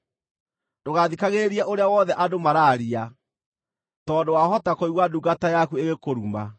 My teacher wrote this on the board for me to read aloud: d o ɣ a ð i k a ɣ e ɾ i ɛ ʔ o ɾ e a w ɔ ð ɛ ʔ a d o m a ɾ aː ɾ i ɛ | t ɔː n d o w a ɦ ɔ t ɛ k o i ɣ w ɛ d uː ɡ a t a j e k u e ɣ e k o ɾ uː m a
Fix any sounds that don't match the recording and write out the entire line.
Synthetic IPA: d o ɣ a ð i k a ɣ e ɾ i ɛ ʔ o ɾ e a w ɔ ð ɛ ʔ a d o m a ɾ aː ɾ i a | t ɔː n d o w a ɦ ɔ t a k o i ɣ w a d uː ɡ a t a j a k u e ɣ e k o ɾ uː m a